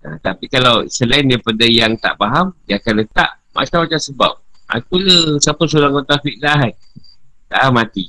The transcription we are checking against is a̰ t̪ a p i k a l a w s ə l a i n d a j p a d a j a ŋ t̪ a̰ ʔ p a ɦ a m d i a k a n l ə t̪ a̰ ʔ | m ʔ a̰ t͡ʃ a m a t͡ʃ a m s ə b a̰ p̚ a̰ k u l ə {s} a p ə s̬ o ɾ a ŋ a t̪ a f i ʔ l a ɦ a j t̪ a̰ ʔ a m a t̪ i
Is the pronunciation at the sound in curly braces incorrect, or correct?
correct